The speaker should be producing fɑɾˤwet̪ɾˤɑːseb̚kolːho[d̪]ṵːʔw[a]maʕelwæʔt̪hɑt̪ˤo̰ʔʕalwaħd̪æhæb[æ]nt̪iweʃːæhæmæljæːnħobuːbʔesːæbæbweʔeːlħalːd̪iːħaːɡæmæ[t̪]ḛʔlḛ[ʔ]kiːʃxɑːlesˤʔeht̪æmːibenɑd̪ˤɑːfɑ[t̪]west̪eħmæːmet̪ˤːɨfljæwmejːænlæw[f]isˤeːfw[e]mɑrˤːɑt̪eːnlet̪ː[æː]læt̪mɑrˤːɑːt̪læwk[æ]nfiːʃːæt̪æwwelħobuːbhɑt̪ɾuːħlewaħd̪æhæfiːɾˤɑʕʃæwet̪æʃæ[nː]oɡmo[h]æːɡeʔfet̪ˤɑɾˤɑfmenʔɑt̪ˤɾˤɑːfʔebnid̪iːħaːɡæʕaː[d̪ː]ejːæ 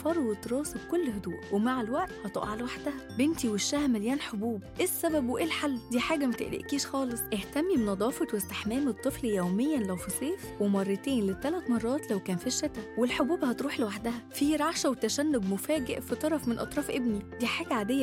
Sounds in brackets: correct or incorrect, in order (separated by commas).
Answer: correct, incorrect, incorrect, correct, correct, correct, correct, correct, incorrect, incorrect, correct, incorrect, incorrect